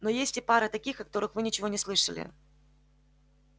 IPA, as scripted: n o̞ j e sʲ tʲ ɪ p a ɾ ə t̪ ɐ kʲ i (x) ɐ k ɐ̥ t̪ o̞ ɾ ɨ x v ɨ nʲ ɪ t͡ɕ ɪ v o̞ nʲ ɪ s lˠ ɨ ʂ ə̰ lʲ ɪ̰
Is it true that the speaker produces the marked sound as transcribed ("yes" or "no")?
yes